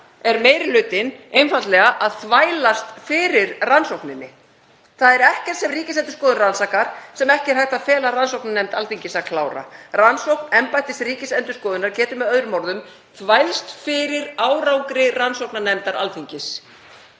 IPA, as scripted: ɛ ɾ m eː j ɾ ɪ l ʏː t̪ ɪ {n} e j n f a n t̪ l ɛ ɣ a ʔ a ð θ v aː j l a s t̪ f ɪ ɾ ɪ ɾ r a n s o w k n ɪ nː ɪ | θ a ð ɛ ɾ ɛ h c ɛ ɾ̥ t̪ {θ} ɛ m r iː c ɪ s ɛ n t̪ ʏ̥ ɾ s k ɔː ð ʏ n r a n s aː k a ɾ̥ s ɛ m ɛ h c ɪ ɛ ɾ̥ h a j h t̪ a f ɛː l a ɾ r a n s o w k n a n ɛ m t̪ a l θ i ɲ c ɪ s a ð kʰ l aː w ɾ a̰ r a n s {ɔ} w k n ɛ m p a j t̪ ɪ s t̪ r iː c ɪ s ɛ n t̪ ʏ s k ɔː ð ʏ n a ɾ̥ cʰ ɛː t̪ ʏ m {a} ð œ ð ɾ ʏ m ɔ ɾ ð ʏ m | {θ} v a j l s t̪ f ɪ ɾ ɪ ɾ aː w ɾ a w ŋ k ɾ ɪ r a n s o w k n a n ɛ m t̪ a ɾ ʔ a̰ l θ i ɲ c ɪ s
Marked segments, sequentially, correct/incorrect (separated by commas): correct, incorrect, incorrect, incorrect, correct